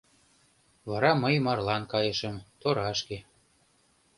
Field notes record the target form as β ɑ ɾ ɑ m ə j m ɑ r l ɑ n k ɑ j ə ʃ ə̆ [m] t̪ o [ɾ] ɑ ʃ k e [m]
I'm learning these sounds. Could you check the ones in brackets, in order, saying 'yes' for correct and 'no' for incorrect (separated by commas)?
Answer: yes, yes, no